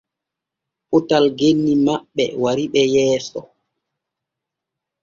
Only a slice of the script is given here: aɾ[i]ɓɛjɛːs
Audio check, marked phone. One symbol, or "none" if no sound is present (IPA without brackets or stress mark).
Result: i